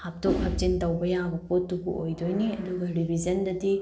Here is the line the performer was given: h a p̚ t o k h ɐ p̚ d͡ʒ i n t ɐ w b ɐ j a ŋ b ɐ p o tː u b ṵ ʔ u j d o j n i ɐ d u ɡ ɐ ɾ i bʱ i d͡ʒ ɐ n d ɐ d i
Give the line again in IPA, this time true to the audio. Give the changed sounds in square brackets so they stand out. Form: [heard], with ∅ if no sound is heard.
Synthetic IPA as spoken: h a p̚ t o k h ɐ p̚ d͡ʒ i n t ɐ w b ɐ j a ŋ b ɐ p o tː u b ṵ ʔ [o] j d o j n i ɐ d u ɡ ɐ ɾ i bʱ i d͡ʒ ɐ n d ɐ d i